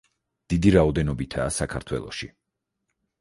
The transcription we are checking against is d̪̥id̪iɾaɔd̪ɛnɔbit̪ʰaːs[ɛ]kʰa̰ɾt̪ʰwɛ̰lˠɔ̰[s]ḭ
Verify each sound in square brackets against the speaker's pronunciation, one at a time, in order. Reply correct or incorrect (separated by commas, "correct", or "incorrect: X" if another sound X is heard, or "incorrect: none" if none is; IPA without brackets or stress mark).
incorrect: a, incorrect: ʃ